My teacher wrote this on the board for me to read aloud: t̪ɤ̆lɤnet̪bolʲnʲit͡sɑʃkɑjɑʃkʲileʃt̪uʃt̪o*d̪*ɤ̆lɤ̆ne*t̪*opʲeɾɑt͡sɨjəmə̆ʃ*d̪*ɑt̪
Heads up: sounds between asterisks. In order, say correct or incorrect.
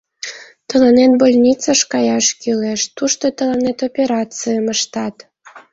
incorrect: t̪, correct, incorrect: t̪

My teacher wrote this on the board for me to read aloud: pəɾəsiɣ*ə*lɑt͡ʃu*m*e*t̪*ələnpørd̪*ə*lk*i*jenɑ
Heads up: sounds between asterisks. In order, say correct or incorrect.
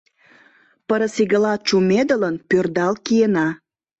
correct, correct, incorrect: d̪, incorrect: ɑ, correct

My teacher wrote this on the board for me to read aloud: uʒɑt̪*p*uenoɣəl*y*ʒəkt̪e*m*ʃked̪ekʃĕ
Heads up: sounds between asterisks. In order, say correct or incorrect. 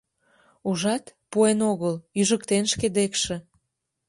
correct, correct, incorrect: n

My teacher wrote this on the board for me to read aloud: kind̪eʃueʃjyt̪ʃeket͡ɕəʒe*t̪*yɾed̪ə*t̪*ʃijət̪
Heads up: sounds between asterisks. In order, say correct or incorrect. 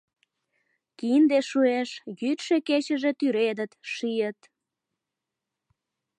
correct, correct

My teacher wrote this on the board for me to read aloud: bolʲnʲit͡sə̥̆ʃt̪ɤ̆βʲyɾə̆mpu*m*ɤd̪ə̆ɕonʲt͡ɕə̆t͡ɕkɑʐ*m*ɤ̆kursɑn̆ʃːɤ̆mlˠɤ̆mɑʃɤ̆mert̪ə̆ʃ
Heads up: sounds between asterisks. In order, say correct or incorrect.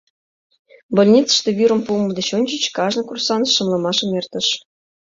correct, incorrect: n

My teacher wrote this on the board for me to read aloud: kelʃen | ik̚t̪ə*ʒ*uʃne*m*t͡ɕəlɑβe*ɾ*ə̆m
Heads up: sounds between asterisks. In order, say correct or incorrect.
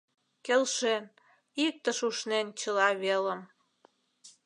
incorrect: ʃ, incorrect: n, incorrect: l

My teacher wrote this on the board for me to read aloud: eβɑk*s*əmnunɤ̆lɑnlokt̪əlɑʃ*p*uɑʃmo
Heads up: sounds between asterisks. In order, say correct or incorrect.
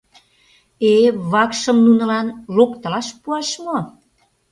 incorrect: ʃ, correct

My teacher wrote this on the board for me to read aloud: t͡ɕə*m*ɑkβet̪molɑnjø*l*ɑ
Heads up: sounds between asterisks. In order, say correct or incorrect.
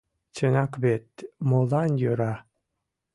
incorrect: n, incorrect: ɾ

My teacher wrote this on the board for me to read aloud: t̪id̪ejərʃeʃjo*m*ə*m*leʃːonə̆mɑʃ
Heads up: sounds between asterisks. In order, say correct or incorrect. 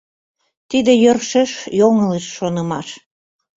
incorrect: ŋ, incorrect: none

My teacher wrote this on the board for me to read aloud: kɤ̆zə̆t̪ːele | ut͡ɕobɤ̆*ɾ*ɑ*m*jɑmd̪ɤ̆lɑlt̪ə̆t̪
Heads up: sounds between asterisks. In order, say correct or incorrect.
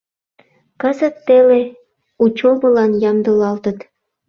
incorrect: l, incorrect: n

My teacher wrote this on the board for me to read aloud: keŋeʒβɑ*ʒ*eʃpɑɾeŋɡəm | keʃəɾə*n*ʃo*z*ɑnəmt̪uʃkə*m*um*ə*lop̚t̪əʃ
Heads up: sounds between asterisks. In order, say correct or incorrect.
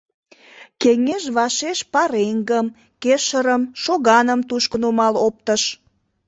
incorrect: ʃ, incorrect: m, incorrect: ɣ, incorrect: n, incorrect: ɑ

